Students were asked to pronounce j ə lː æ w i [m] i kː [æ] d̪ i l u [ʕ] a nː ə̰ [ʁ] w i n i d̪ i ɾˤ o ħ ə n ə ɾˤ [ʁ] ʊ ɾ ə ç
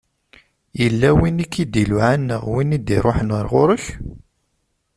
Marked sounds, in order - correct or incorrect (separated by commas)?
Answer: incorrect, incorrect, correct, correct, correct